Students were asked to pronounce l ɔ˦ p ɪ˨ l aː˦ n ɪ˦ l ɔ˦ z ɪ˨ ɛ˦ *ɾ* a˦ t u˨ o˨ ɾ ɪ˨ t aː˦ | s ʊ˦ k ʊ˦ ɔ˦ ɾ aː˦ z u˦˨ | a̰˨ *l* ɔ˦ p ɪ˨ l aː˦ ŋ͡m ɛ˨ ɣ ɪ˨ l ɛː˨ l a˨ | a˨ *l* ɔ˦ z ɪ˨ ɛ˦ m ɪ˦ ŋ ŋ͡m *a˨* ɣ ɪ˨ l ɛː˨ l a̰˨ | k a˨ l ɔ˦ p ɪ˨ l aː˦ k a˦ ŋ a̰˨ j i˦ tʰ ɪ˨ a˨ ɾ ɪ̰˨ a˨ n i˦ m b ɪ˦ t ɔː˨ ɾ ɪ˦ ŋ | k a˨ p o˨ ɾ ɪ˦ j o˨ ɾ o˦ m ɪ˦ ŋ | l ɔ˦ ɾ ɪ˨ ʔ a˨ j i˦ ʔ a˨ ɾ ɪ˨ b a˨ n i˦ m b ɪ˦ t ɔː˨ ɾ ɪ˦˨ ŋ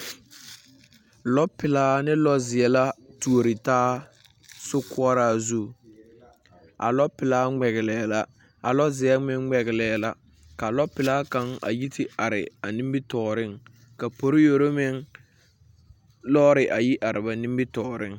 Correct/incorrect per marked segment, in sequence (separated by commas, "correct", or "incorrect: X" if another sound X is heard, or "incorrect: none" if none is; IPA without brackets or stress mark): incorrect: l, correct, correct, incorrect: ɛ˨